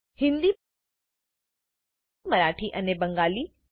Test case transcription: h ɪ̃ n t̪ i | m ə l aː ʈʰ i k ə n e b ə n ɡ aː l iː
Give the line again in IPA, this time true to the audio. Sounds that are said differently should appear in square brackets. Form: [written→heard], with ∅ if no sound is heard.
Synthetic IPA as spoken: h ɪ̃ n [t̪→d̪] i | m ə [l→ɾ] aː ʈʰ i [k→ʔ] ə n e b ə [n→ŋ] ɡ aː l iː